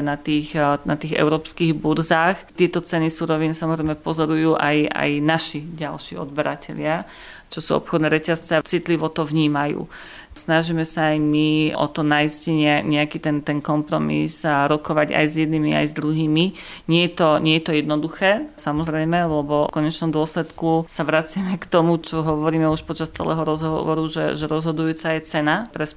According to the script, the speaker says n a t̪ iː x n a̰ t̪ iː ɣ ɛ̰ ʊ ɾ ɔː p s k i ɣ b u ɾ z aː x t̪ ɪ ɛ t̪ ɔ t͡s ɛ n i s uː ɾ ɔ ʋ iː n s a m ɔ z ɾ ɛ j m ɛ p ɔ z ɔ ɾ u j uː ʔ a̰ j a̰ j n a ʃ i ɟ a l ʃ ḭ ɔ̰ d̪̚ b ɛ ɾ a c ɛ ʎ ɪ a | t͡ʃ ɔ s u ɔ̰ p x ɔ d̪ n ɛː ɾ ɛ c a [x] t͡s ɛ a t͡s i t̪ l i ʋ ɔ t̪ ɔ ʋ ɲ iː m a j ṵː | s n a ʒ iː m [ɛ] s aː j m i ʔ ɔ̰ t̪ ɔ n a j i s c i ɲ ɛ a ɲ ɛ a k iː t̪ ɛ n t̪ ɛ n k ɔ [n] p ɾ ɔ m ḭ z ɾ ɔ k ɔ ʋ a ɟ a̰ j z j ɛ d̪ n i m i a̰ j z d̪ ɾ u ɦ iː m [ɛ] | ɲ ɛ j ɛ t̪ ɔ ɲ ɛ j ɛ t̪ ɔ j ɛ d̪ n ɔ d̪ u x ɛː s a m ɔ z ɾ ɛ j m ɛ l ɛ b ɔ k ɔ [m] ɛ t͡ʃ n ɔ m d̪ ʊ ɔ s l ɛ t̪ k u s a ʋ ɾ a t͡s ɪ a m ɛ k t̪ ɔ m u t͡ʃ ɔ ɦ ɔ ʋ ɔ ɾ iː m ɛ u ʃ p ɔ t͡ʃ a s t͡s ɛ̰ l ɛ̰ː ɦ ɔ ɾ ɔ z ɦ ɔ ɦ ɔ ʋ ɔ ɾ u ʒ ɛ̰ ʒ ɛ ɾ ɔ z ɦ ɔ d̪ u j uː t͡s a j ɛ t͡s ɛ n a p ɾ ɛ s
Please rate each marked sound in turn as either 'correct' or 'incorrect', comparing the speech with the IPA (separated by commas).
incorrect, correct, incorrect, incorrect, incorrect